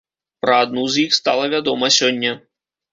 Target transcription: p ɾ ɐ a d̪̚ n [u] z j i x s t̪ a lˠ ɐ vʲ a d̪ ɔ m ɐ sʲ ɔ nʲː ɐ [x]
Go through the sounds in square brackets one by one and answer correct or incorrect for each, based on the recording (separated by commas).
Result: correct, incorrect